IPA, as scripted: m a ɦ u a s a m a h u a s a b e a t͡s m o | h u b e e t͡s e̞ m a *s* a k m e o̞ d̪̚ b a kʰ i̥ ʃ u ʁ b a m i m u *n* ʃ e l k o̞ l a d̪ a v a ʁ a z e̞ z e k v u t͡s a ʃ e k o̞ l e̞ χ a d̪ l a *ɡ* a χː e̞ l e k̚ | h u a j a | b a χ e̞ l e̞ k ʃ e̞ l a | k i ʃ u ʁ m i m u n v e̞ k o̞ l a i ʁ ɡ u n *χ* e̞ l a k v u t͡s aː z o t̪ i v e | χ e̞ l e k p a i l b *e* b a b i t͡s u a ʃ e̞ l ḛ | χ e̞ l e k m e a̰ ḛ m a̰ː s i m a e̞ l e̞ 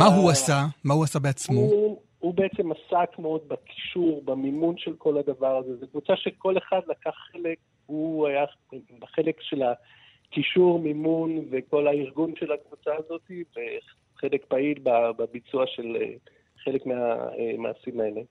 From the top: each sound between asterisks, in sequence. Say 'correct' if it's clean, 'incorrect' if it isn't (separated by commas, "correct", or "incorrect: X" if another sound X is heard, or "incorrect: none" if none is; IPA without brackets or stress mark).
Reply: correct, correct, incorrect: k, incorrect: ʃ, incorrect: a